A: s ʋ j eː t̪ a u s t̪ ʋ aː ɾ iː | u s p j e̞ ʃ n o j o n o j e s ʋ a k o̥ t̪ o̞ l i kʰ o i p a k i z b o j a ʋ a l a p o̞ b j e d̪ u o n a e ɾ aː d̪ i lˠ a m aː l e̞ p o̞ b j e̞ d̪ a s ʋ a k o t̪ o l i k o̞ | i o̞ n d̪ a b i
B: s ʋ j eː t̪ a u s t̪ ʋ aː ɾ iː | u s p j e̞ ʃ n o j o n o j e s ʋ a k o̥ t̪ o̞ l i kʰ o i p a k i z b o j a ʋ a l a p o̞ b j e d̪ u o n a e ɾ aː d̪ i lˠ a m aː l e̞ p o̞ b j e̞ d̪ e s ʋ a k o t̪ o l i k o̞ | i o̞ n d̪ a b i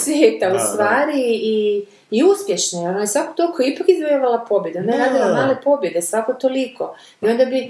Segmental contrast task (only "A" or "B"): B